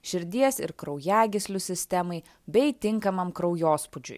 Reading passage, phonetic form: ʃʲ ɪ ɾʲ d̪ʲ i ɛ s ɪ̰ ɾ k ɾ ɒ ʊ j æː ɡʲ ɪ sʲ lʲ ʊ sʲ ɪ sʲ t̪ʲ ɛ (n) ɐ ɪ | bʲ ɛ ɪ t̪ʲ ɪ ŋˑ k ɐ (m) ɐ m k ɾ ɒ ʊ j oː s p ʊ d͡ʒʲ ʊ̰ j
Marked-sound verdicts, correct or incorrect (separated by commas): incorrect, correct